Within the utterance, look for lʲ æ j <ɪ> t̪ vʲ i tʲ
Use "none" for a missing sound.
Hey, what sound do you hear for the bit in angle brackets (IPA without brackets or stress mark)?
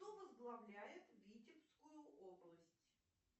ɪ